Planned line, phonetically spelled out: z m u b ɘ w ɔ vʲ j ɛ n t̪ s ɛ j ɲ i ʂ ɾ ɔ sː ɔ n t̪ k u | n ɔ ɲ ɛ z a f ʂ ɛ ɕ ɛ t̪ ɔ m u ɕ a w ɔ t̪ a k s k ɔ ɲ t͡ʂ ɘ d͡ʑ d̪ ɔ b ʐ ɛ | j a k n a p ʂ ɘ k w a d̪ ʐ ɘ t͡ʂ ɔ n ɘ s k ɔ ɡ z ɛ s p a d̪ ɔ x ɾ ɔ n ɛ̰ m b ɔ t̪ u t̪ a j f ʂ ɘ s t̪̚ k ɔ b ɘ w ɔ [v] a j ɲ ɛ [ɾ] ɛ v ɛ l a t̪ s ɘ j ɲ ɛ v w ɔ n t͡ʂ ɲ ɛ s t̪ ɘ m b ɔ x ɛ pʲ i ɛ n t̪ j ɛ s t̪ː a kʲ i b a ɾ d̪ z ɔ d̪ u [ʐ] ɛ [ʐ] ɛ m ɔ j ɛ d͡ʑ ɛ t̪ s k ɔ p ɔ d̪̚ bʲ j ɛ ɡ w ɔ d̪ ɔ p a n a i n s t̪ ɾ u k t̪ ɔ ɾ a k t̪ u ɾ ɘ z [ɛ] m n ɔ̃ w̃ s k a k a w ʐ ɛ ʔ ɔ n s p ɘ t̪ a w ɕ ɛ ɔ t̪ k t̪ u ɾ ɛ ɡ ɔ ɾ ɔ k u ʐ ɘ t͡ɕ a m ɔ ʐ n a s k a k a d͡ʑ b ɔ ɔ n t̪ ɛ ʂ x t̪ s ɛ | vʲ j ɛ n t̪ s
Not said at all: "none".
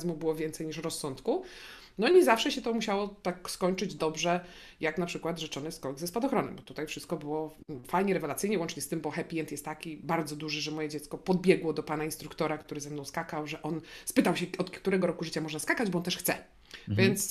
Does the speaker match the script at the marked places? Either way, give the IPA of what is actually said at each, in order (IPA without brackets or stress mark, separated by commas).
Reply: f, ɾ, ʐ, ʐ, ɛ